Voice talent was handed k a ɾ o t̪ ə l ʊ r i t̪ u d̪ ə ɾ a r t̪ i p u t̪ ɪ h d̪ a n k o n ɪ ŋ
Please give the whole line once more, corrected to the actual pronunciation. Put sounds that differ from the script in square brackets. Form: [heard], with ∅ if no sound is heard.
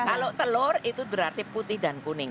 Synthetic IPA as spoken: k a [l] o t̪ ə l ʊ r i t̪ u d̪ ə ɾ a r t̪ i p u t̪ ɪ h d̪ a n k [u] n ɪ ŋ